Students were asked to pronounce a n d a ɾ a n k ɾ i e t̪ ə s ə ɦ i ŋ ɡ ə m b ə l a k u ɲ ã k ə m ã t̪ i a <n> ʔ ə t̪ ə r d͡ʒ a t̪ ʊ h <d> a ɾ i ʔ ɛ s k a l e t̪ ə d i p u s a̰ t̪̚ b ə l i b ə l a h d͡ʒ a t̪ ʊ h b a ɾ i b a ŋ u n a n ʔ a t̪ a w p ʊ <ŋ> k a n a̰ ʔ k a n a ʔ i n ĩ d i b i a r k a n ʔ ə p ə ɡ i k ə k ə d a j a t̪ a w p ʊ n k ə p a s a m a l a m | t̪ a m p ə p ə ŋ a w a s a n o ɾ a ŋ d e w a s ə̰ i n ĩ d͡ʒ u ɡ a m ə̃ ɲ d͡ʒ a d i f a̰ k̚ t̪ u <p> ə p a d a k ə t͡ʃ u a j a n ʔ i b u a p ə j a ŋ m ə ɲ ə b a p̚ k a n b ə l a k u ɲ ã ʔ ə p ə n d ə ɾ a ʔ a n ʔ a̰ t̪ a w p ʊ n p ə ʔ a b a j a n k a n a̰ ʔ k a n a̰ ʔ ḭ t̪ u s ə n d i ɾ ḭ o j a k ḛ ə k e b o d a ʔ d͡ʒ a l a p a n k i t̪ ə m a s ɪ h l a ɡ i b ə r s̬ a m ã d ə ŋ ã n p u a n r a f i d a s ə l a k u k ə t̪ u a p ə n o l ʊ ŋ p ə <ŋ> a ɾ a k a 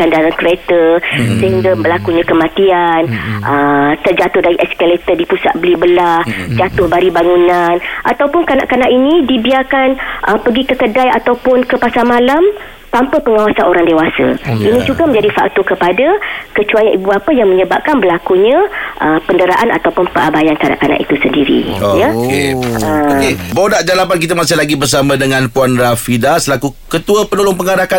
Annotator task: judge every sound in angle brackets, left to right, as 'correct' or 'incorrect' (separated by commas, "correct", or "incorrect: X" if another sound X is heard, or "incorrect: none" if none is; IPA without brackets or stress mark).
correct, correct, incorrect: n, incorrect: k, correct